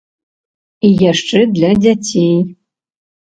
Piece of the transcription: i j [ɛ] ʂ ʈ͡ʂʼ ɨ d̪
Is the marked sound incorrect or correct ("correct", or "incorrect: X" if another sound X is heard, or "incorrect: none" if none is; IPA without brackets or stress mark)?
incorrect: a